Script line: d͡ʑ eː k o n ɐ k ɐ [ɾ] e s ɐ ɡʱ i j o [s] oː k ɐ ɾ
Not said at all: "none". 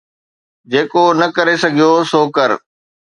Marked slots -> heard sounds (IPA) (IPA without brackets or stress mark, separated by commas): ɾ, s